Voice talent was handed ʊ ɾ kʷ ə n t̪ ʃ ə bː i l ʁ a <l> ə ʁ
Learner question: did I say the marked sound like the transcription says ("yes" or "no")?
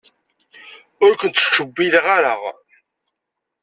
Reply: no